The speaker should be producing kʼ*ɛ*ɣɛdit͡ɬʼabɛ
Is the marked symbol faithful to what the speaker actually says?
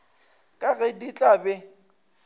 no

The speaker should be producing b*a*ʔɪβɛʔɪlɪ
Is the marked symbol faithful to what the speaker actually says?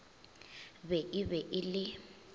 no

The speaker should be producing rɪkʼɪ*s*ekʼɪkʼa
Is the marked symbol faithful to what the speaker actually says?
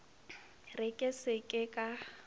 yes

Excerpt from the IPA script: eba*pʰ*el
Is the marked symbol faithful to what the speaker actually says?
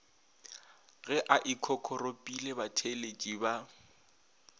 no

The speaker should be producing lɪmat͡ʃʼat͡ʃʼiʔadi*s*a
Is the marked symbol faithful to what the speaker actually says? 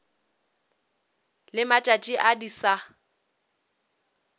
yes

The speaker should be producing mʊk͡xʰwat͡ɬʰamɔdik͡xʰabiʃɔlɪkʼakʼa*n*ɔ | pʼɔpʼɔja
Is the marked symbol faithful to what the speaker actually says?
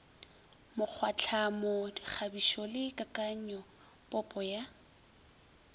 no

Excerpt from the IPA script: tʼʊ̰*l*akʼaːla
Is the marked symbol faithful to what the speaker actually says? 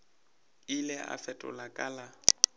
yes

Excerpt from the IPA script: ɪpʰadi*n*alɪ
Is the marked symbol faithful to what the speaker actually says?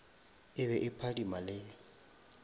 no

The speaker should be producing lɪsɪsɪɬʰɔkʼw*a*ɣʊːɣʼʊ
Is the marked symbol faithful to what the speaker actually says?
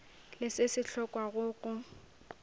yes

